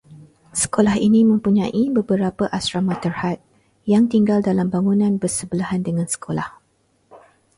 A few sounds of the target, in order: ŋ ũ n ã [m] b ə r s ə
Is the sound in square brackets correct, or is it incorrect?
incorrect